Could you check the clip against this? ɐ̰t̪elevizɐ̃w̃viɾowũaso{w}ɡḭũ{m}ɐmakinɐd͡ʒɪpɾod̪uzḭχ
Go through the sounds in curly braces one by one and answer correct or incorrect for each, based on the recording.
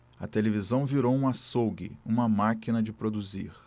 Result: correct, correct

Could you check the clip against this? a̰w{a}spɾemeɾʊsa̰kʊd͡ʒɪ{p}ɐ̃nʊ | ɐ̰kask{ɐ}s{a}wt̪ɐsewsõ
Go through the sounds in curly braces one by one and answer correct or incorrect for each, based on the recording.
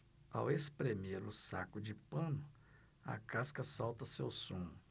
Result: incorrect: e, correct, correct, correct

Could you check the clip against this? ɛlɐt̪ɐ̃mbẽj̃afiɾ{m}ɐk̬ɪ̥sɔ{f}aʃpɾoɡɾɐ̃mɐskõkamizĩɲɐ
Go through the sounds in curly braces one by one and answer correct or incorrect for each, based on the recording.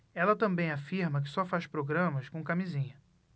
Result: correct, correct

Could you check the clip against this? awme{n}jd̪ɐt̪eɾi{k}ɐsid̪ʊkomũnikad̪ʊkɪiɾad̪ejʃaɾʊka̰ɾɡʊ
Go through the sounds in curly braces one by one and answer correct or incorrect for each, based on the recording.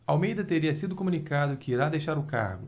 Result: incorrect: none, incorrect: none

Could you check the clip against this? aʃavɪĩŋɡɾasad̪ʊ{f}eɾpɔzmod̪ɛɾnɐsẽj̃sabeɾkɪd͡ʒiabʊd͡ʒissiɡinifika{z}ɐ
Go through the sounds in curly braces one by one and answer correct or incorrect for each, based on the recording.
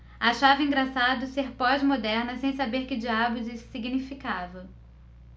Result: incorrect: s, incorrect: v

